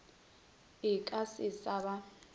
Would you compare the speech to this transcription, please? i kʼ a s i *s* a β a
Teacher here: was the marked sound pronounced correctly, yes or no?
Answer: yes